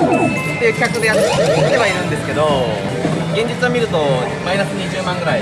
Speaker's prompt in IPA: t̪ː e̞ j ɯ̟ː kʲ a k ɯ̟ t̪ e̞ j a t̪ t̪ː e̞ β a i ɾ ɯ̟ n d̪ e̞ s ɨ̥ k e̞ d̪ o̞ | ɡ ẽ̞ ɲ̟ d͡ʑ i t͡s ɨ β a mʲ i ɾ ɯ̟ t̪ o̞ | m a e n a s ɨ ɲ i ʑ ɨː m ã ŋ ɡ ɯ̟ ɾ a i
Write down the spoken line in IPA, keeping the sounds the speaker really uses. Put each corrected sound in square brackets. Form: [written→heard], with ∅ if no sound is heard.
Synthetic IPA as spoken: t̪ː e̞ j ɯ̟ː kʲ a k ɯ̟ [t̪→d̪] e̞ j a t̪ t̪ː e̞ β a i ɾ [ɯ̟→ɯ̟̃] n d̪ e̞ s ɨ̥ k e̞ d̪ o̞ | ɡ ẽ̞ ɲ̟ d͡ʑ i t͡s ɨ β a mʲ i ɾ ɯ̟ t̪ o̞ | m a [e→i] n a s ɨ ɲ i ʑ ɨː m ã ŋ ɡ ɯ̟ ɾ a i